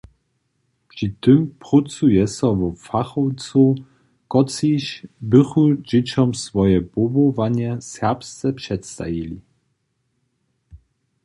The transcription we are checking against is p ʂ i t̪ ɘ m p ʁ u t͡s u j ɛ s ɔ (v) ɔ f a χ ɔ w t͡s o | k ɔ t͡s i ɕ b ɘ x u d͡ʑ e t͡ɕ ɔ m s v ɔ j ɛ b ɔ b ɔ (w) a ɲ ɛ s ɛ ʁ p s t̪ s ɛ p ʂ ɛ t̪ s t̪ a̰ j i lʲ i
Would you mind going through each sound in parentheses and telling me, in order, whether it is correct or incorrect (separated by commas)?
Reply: correct, incorrect